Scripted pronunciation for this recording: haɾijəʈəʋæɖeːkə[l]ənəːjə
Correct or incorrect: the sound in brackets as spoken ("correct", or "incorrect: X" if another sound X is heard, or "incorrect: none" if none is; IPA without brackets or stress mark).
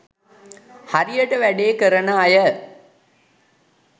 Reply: incorrect: ɾ